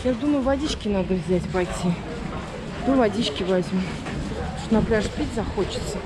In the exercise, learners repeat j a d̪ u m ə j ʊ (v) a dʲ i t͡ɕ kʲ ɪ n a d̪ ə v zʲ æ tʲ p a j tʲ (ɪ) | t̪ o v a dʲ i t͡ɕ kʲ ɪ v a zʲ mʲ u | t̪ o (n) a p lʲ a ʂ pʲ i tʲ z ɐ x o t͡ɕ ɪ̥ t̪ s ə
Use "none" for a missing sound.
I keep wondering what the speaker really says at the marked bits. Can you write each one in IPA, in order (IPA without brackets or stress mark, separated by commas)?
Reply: v, i, n